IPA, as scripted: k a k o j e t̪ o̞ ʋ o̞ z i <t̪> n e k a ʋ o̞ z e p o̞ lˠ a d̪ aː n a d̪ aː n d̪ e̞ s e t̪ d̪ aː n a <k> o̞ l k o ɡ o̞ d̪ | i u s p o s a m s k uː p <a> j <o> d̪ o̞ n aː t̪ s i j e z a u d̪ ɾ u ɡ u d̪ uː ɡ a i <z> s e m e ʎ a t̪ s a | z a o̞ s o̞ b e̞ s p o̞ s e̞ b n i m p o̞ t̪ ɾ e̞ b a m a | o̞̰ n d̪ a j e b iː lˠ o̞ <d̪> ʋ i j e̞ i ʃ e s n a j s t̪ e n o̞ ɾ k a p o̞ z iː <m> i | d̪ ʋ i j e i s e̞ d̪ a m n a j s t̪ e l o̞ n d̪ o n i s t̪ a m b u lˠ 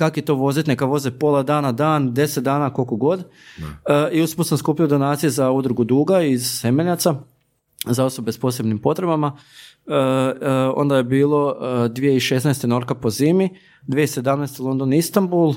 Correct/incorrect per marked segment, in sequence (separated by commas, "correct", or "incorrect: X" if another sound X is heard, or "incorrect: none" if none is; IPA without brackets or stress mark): correct, correct, incorrect: i, correct, correct, correct, correct